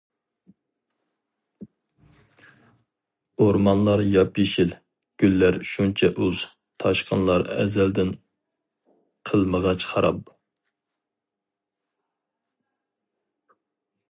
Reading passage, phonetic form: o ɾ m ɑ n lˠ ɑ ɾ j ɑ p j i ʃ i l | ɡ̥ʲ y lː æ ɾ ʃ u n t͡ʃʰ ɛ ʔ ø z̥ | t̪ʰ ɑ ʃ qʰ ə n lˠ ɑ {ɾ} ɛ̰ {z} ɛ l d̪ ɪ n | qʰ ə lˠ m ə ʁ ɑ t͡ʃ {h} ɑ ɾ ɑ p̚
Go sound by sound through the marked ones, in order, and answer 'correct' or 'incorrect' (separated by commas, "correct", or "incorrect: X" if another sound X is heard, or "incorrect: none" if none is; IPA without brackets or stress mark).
correct, correct, incorrect: χ